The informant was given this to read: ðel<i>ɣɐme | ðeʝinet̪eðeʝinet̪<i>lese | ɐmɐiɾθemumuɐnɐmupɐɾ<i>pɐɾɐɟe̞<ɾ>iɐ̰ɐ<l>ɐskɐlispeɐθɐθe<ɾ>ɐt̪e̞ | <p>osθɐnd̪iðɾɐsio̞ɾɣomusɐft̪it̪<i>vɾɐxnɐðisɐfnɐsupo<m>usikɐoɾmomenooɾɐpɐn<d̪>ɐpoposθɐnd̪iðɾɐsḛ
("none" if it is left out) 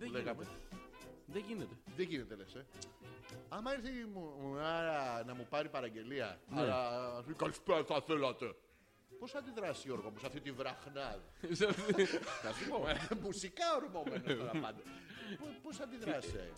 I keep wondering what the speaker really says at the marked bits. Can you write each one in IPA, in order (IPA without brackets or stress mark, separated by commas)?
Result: e, e, i, l, l, l, p, i, m, d̪